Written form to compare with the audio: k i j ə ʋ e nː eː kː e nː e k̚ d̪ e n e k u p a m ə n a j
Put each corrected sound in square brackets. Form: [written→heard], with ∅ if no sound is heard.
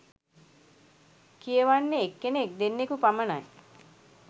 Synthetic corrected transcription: k i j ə ʋ [e→a] nː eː kː e [nː→n] e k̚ d̪ e [n→nː] e k u p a m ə n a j